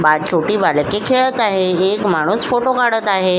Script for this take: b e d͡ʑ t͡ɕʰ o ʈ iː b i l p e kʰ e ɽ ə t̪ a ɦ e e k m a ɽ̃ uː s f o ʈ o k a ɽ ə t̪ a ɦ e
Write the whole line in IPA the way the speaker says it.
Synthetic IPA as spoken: b a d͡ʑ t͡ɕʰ o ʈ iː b a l k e kʰ e ɭ ə t̪ a ɦ e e k m a ɽ̃ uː s f o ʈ o k a ɽ ə t̪ a ɦ e